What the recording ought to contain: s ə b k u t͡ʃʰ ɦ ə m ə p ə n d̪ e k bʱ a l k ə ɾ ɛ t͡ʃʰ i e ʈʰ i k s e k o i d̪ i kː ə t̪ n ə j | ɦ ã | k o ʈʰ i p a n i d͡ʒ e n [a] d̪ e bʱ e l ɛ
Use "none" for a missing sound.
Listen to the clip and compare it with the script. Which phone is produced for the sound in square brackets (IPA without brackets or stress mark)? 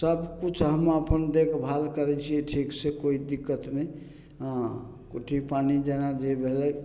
a